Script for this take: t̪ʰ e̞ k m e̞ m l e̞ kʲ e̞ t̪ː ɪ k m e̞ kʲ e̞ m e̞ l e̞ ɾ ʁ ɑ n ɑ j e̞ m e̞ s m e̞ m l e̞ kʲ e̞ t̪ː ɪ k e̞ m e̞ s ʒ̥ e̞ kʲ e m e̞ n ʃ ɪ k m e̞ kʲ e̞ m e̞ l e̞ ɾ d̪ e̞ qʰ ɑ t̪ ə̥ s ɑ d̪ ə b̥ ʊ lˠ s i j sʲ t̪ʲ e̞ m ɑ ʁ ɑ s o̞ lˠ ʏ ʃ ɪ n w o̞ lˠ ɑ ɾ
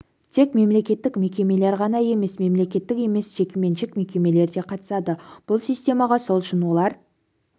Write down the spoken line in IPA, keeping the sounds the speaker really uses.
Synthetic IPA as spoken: t̪ʰ e̞ k m e̞ m l e̞ kʲ e̞ t̪ː ɪ k m e̞ kʲ e̞ m e̞ l e̞ ɾ ʁ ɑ n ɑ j e̞ m e̞ s m e̞ m l e̞ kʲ e̞ t̪ː ɪ k e̞ m e̞ s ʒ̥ e̞ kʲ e m e̞ n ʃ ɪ k m e̞ kʲ e̞ m e̞ l e̞ ɾ d̪ e̞ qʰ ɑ t̪ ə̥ s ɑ d̪ ə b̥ ʊ lˠ s i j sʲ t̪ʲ e̞ m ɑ ʁ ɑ s o̞ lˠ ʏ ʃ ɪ n w o̞ lˠ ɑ ɾ